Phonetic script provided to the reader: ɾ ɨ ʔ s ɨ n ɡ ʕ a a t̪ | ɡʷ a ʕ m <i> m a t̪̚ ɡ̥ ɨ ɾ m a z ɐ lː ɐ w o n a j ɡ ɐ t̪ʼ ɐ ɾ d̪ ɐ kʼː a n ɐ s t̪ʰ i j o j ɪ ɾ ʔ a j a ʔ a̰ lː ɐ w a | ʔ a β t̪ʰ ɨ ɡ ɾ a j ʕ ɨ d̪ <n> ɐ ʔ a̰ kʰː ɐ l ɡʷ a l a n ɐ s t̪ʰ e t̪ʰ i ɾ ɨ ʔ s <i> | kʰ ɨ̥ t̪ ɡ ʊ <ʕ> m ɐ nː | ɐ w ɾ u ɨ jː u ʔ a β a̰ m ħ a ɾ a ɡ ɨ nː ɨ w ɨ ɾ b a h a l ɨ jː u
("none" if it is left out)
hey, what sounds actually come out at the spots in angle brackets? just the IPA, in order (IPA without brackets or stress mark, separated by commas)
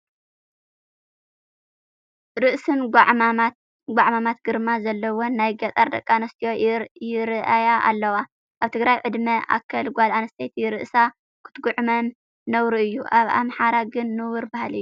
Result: a, m, a, ʕ